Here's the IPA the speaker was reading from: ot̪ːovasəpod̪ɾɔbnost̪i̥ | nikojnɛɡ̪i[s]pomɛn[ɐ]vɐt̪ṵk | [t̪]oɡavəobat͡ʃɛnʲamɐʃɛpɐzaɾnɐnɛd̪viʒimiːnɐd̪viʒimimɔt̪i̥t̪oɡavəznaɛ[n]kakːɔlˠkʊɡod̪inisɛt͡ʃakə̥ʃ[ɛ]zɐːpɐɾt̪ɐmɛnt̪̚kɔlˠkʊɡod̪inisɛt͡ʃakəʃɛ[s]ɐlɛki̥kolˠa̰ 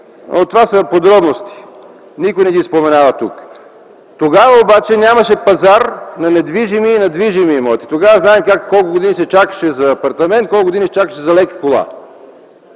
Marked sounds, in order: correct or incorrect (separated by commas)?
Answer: correct, incorrect, correct, incorrect, correct, incorrect